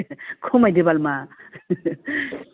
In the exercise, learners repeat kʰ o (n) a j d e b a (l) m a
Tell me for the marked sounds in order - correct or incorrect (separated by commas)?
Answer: incorrect, correct